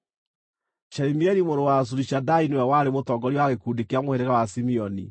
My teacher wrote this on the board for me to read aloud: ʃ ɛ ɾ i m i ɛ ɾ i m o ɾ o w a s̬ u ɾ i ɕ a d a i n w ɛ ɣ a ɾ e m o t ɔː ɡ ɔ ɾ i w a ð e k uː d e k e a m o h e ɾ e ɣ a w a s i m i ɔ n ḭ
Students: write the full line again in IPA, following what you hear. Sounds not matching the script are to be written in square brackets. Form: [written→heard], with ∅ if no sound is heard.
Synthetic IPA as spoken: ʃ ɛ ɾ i m i ɛ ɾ i m o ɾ o w a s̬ u ɾ i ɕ a d a i n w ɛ [ɣ→w] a ɾ e m o t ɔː ɡ ɔ ɾ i w a [ð→ɣ] e k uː d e k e a m o h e ɾ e ɣ a w a s i m i ɔ n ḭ